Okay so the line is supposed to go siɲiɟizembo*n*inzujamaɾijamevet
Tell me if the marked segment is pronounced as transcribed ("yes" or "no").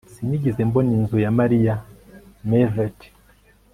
yes